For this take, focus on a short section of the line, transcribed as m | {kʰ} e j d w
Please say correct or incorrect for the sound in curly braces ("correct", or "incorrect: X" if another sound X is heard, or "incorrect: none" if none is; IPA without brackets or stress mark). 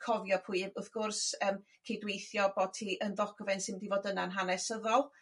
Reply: correct